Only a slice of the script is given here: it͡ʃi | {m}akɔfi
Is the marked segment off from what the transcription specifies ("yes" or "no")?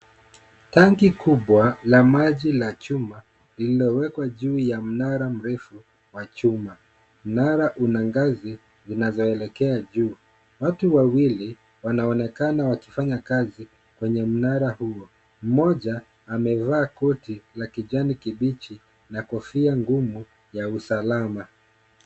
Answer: yes